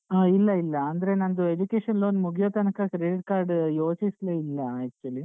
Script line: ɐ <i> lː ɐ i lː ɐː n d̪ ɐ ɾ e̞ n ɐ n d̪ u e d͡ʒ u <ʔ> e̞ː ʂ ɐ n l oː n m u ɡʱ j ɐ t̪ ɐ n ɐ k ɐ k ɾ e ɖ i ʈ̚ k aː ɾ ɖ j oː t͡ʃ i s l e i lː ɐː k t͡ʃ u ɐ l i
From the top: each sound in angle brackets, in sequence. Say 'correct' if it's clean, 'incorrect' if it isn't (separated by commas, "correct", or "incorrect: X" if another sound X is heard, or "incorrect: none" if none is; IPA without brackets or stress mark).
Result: correct, incorrect: k